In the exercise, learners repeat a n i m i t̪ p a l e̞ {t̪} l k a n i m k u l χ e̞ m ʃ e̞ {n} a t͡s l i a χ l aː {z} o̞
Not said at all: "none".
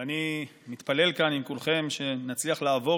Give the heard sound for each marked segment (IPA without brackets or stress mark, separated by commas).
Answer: none, n, v